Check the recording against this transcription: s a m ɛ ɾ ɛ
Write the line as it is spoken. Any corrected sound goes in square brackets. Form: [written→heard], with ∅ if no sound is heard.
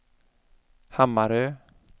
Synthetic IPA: [s→h] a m [ɛ→a] ɾ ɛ